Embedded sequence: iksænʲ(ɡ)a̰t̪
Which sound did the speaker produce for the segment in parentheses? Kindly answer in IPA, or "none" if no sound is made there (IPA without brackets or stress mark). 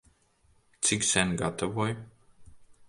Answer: ɡ